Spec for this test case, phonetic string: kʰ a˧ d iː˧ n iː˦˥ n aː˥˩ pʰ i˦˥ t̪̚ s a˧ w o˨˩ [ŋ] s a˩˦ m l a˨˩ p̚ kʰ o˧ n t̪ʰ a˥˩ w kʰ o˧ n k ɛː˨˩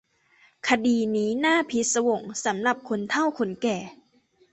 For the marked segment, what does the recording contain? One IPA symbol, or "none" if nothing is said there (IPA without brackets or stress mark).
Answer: ŋ